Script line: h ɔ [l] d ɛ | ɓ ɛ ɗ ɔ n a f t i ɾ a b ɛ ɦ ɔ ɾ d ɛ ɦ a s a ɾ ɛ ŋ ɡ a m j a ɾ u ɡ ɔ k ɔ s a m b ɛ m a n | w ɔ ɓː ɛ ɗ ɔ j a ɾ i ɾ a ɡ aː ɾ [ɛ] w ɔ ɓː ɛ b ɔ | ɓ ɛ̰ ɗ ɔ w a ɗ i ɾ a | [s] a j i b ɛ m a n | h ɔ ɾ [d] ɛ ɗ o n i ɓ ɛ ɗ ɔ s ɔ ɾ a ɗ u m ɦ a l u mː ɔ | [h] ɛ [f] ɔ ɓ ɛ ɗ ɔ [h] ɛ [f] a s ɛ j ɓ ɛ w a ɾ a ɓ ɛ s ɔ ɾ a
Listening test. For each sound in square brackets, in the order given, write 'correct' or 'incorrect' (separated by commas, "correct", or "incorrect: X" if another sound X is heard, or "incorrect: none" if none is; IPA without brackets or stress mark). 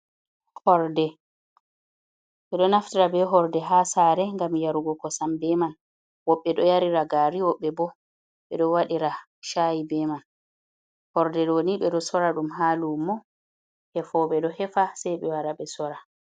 incorrect: ɾ, incorrect: i, incorrect: ʃ, correct, correct, correct, correct, correct